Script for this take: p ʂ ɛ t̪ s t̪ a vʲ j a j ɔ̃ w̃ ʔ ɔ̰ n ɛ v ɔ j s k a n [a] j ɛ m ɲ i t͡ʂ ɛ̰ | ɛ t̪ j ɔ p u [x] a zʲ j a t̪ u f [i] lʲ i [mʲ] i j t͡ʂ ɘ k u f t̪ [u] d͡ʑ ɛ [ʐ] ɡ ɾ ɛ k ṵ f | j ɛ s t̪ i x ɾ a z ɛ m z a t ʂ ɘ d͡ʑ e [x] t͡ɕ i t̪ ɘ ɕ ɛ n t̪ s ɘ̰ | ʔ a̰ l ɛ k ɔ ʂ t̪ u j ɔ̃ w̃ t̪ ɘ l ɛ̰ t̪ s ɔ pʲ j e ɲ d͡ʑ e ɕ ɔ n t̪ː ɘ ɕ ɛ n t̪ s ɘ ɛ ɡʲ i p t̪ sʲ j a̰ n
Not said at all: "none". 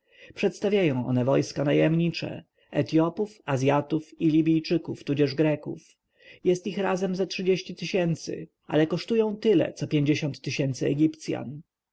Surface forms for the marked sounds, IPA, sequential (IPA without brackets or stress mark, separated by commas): a, f, i, bʲ, u, ʐ, ɕ